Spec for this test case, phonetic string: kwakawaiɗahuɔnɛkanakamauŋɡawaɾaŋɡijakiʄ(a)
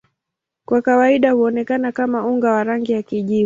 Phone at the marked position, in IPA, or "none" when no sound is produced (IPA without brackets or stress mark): i